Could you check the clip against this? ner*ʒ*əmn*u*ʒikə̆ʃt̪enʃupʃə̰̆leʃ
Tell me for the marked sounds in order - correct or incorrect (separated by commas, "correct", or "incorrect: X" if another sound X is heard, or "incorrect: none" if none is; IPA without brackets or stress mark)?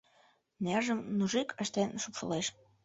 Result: correct, correct